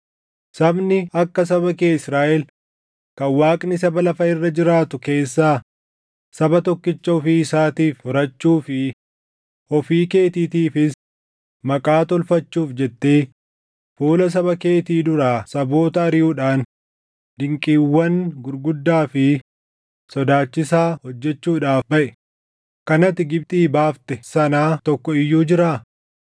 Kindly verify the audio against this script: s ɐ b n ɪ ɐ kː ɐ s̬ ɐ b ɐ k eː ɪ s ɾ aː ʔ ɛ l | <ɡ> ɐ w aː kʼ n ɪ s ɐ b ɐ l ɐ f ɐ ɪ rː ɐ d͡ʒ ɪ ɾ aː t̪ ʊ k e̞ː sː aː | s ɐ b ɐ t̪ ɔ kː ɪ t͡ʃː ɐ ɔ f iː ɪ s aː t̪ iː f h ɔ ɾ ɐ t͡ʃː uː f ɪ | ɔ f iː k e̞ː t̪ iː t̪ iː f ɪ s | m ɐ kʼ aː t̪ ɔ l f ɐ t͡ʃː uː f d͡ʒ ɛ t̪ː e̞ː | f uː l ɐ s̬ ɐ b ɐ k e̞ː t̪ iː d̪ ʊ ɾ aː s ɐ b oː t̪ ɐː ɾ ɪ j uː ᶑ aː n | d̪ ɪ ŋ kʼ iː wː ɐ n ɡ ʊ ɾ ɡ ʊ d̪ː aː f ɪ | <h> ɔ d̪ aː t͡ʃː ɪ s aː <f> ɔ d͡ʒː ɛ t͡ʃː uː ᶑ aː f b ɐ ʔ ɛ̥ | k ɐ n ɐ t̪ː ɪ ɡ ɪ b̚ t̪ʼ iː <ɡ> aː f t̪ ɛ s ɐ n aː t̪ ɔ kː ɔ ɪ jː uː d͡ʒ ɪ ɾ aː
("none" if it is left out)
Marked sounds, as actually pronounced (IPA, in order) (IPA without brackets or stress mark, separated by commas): k, s, h, b